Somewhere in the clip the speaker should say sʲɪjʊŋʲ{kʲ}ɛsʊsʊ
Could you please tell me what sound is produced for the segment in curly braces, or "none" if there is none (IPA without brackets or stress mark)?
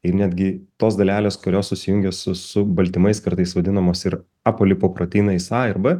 ɡʲ